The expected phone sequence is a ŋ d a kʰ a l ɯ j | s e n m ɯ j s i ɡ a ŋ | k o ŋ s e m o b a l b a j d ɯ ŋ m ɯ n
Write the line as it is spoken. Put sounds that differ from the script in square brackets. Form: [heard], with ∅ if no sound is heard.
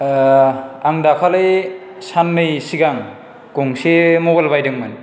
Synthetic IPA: a ŋ d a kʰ a l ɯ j | s [a] n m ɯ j s i ɡ a ŋ | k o ŋ s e m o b a l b a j d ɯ ŋ m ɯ n